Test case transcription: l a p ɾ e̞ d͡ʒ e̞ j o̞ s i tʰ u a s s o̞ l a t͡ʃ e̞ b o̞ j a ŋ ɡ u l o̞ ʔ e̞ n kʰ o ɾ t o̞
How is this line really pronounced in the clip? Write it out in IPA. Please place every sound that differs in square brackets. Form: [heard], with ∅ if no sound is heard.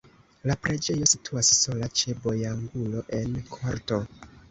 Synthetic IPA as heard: l a p ɾ e̞ d͡ʒ e̞ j o̞ s i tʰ u a s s o̞ l a t͡ʃ e̞ b o̞ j a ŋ ɡ u l o̞ ʔ e̞ n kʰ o ɾ t o̞